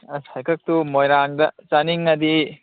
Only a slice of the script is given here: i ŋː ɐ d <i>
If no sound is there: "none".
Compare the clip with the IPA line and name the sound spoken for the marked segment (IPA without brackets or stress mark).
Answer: i